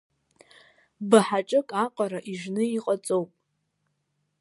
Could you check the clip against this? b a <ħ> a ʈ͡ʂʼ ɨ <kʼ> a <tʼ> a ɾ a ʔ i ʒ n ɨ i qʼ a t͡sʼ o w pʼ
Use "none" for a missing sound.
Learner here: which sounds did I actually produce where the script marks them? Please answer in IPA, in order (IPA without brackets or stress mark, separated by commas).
ħ, kʼ, qʼ